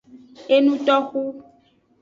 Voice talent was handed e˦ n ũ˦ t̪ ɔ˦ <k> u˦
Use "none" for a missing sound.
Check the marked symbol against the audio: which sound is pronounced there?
x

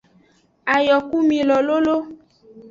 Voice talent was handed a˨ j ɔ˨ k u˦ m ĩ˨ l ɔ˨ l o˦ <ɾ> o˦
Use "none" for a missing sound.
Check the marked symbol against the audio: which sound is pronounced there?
l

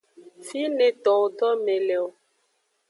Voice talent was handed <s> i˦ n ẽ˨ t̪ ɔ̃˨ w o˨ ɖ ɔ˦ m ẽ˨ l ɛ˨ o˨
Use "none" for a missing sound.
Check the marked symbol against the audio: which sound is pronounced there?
f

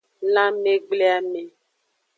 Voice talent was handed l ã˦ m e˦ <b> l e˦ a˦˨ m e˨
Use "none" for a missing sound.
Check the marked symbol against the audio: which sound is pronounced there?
ɡ͡b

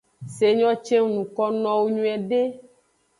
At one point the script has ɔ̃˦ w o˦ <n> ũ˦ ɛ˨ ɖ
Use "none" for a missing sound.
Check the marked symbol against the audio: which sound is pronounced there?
ɲ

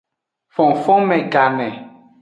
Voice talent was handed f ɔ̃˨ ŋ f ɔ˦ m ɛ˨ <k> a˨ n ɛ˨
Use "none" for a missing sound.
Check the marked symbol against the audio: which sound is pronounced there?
ɡ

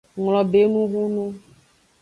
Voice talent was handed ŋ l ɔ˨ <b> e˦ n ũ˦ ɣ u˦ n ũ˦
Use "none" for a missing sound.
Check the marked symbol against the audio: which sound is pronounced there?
b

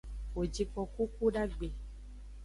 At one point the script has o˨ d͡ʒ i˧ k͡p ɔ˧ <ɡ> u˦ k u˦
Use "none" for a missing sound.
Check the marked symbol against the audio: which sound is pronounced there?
k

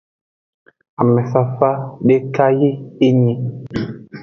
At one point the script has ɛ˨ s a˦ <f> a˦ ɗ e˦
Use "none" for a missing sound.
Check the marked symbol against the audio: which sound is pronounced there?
f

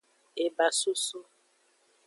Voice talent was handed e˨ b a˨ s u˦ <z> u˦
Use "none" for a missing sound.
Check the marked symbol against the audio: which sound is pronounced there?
s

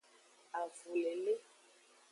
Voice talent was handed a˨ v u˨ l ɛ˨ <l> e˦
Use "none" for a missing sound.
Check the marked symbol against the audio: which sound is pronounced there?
l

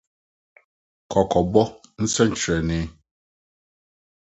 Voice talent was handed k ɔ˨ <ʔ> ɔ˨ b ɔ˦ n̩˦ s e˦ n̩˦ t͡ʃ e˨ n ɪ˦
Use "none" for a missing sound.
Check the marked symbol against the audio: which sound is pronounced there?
k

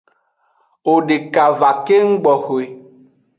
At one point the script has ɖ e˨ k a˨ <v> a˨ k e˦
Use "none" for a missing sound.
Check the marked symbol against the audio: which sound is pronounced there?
v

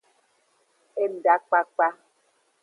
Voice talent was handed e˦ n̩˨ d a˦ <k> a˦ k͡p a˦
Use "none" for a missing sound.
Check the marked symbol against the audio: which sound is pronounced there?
k͡p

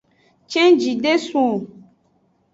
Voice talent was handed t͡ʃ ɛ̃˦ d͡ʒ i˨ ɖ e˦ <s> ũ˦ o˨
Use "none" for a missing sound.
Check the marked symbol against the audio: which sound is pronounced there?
s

